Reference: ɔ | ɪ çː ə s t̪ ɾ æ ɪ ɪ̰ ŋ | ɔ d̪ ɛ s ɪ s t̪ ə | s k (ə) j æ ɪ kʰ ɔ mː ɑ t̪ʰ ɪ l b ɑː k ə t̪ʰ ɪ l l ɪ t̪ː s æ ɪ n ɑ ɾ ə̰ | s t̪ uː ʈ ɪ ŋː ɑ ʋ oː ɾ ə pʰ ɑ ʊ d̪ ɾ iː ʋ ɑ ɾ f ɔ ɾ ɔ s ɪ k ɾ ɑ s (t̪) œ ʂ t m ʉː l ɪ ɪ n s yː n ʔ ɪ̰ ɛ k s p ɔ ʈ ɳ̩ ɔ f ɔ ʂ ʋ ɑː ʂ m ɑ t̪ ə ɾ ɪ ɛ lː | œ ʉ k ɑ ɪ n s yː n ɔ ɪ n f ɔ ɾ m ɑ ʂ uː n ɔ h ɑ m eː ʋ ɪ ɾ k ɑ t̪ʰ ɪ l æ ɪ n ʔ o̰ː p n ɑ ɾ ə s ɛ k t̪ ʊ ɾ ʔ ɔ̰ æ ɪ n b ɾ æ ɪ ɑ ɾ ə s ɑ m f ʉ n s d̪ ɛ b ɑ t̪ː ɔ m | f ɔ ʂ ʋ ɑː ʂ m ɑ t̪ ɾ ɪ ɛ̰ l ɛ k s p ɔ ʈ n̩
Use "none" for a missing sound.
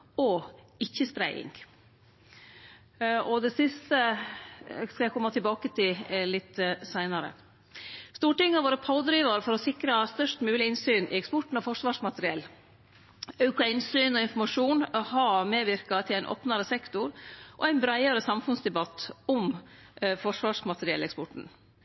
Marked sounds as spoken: ɑ, t̪

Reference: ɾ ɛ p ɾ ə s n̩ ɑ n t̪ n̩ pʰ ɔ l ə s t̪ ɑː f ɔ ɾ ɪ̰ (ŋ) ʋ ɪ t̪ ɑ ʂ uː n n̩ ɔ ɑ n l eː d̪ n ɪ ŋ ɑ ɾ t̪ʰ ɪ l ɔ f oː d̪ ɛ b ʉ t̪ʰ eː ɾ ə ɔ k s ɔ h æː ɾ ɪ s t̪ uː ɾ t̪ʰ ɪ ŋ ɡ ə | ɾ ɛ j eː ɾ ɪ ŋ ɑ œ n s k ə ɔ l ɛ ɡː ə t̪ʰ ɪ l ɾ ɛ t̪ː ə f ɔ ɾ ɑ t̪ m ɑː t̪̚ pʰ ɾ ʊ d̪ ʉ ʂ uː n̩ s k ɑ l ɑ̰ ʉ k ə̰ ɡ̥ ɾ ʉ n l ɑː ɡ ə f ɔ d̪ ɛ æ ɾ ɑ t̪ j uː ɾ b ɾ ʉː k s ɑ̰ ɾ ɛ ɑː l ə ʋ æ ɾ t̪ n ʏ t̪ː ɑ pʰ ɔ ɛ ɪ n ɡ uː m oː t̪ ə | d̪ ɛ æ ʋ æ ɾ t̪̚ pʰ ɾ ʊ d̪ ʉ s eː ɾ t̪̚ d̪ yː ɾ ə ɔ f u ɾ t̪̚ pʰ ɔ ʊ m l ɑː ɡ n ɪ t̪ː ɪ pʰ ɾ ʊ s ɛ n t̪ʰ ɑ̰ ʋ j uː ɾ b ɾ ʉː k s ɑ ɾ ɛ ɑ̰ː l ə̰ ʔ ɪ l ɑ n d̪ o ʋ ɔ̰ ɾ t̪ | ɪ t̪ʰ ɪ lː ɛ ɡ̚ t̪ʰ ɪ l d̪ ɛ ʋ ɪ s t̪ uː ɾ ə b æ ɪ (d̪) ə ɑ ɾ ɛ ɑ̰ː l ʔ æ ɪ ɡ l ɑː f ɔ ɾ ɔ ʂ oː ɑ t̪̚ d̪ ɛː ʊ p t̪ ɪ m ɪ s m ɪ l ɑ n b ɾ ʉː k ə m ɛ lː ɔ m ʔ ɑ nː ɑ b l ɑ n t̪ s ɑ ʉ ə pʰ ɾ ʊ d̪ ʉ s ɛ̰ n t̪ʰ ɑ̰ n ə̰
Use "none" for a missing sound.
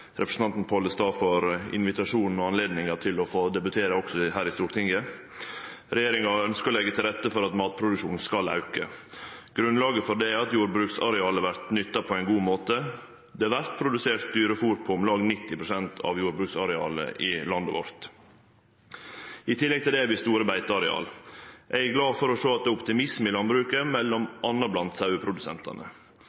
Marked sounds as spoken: n, t̪

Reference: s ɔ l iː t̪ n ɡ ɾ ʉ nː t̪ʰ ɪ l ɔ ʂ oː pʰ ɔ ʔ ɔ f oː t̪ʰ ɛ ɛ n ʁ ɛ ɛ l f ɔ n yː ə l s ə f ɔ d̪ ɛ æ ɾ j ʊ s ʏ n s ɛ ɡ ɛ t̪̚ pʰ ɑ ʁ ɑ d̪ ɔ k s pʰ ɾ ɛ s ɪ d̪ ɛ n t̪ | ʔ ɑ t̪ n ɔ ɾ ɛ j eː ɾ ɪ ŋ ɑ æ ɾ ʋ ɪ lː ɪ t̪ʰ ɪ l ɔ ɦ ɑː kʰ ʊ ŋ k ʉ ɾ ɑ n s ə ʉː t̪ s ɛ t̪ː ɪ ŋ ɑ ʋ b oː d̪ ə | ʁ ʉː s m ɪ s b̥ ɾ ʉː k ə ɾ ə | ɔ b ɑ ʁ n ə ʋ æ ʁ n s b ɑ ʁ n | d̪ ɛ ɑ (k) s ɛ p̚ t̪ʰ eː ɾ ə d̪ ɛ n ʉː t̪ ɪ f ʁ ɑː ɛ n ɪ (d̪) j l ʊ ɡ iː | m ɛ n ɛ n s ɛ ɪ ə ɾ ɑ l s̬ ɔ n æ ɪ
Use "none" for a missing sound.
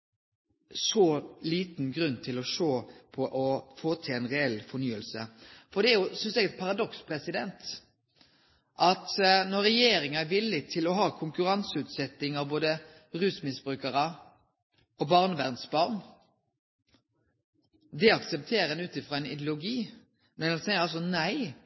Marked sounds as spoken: k, d̪

